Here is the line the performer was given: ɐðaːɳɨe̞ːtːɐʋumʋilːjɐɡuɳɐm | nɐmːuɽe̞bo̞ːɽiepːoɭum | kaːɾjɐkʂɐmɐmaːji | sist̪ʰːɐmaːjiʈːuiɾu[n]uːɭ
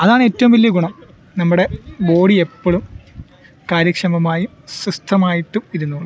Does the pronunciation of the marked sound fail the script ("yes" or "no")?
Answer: yes